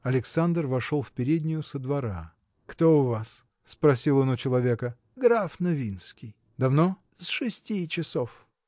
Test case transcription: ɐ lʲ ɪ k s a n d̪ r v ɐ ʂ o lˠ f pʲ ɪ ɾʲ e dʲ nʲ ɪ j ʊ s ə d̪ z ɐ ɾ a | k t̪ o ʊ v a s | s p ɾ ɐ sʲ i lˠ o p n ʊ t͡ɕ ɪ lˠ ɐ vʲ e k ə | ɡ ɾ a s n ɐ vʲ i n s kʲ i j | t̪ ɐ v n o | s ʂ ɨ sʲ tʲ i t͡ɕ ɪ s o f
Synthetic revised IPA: ɐ lʲ ɪ k s a n d̪ r v ɐ ʂ o lˠ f pʲ ɪ ɾʲ e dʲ nʲ ɪ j ʊ s ə d̪ v ɐ ɾ a | k t̪ o ʊ v a s | s p ɾ ɐ sʲ i lˠ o n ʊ t͡ɕ ɪ lˠ ɐ vʲ e k ə | ɡ ɾ a f n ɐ vʲ i n s kʲ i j | d̪ ɐ v n o | s ʂ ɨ sʲ tʲ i t͡ɕ ɪ s o f